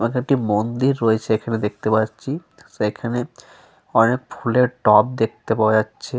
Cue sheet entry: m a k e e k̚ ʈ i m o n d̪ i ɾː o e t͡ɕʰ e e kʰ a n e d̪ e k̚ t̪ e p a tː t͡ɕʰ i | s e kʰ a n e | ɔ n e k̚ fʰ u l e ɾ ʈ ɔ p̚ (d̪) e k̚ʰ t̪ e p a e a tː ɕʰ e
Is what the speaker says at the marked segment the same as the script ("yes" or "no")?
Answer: yes